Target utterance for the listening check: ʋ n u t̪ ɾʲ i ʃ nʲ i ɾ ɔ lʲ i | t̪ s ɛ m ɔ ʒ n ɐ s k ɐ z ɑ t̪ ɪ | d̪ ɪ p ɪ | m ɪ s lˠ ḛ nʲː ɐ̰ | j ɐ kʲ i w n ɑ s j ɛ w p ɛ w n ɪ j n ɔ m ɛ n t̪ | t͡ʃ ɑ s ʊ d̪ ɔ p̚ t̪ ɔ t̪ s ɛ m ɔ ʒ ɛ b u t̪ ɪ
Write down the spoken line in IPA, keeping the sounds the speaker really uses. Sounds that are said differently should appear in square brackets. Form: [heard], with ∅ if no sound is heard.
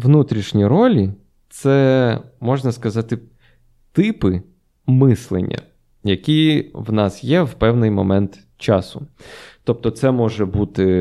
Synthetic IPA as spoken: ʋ n u t̪ ɾʲ i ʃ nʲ i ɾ ɔ lʲ i | t̪ s ɛ m ɔ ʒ n ɐ s k ɐ z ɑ t̪ ɪ | [t̪] ɪ p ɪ | m ɪ s lˠ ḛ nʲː ɐ̰ | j ɐ kʲ i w n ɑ s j ɛ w p ɛ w n ɪ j [m] ɔ m ɛ n t̪ | t͡ʃ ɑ s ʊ [t̪] ɔ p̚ t̪ ɔ t̪ s ɛ m ɔ ʒ ɛ b u t̪ ɪ